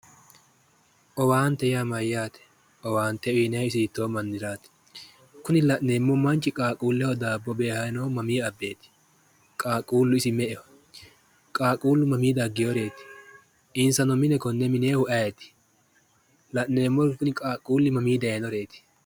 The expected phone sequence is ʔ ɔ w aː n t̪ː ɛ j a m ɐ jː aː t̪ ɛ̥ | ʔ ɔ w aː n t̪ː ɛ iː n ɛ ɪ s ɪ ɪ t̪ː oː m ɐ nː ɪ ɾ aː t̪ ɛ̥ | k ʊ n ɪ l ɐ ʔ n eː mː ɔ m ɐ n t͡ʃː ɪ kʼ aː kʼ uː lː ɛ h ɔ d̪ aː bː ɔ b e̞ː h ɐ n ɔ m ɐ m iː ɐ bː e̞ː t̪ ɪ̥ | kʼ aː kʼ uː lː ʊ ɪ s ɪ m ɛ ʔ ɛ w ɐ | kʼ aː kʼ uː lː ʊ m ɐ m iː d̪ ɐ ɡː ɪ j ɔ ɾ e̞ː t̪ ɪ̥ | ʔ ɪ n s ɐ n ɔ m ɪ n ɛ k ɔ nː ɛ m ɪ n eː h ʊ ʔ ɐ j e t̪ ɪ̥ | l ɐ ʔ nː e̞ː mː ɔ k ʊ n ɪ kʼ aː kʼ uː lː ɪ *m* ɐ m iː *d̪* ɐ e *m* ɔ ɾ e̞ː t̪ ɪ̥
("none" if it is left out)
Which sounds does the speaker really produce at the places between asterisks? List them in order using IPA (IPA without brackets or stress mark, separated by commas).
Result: m, d̪, n